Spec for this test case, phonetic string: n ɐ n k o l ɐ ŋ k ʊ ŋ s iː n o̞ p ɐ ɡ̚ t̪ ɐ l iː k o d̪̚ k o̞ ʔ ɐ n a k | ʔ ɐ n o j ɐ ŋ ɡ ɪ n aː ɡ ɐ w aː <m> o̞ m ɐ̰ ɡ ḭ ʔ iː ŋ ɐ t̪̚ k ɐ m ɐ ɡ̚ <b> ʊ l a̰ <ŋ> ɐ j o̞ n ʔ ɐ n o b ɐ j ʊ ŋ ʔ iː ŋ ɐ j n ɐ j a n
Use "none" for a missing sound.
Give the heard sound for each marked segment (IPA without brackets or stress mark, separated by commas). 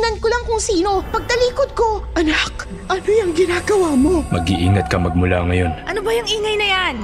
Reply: m, m, ŋ